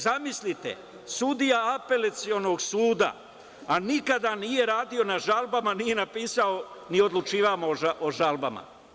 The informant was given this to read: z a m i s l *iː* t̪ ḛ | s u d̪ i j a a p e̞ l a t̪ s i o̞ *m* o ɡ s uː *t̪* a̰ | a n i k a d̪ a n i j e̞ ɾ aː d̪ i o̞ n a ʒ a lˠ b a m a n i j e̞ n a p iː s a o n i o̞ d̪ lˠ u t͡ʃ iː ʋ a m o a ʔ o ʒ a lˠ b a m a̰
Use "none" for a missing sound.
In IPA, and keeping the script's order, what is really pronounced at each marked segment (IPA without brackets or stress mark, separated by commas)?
i, n, d̪